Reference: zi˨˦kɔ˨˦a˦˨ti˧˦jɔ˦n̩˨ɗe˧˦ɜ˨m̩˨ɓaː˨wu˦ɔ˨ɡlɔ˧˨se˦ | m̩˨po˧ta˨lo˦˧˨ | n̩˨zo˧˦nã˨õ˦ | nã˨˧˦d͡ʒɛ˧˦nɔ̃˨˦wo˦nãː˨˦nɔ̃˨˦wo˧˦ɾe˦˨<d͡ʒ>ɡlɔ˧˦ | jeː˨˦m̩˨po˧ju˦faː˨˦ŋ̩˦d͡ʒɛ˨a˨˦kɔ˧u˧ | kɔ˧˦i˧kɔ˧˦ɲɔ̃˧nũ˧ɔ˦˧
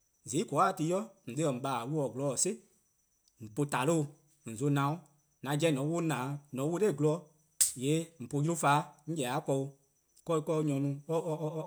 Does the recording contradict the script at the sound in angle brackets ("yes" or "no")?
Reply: yes